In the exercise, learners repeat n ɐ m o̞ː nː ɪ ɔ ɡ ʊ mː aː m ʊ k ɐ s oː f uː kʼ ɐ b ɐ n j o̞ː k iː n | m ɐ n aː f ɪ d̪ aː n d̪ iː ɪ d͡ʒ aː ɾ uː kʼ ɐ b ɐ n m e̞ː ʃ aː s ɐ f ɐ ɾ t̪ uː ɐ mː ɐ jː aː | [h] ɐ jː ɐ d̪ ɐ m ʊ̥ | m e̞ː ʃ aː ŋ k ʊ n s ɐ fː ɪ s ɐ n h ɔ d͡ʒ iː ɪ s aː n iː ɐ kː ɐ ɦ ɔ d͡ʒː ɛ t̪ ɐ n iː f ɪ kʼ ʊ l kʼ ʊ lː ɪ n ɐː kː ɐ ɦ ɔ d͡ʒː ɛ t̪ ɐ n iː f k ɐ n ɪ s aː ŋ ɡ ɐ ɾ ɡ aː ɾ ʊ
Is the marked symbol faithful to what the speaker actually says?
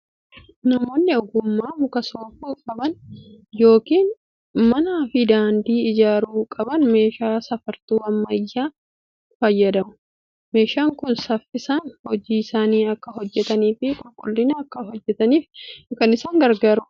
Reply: no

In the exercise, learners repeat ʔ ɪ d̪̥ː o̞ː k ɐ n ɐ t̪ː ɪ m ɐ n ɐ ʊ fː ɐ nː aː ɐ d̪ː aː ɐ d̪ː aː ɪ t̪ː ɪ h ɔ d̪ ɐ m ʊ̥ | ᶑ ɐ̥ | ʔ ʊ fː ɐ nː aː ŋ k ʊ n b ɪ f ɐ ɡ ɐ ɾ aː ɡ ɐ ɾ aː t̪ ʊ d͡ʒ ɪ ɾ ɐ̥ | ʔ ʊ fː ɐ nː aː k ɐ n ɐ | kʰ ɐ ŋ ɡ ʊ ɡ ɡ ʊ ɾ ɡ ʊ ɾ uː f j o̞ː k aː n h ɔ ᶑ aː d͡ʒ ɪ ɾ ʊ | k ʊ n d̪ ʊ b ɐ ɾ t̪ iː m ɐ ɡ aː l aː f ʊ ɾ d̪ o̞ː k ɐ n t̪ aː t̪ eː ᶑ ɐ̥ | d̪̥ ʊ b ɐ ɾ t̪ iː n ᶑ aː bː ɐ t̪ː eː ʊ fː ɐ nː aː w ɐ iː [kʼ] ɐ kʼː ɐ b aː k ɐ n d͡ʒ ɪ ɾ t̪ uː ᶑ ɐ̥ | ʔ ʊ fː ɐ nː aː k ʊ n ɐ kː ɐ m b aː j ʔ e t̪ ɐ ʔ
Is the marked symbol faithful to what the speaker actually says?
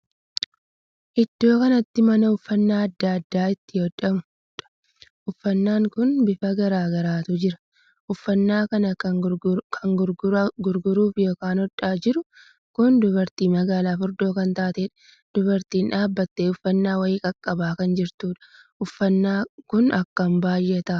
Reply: yes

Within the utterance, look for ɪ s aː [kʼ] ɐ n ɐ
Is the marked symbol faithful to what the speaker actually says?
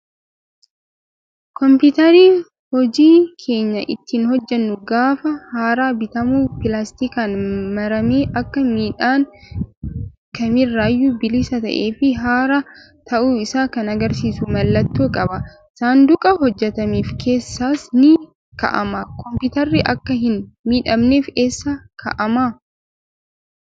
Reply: no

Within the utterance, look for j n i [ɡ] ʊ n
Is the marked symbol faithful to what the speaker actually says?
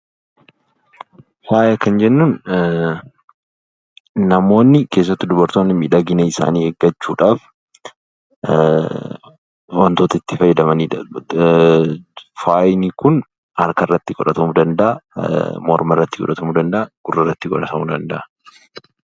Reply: no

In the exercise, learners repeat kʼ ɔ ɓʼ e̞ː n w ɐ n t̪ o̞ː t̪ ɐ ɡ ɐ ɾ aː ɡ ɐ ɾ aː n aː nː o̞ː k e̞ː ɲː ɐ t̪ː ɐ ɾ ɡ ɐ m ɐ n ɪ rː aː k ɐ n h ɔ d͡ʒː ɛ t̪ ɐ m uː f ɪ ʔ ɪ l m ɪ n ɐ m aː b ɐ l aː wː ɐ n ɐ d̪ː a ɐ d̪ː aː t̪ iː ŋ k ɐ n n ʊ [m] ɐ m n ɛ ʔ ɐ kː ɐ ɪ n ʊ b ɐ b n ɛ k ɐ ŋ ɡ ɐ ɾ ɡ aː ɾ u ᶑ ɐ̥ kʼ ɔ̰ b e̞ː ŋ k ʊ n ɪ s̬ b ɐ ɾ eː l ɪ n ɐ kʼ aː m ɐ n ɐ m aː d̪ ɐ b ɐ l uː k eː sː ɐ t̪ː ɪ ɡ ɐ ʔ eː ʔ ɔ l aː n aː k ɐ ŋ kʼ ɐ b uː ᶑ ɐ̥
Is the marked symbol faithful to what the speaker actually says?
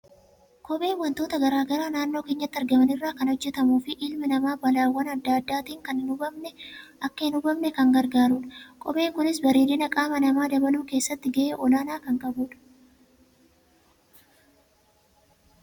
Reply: no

